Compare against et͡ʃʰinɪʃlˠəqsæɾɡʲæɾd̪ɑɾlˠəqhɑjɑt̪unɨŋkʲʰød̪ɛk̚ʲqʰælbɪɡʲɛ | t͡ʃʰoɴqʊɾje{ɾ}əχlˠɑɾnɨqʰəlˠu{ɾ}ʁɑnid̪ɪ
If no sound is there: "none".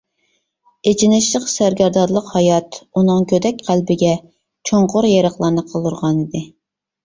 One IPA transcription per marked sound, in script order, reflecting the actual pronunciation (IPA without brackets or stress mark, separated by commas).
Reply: ɾ, ɾ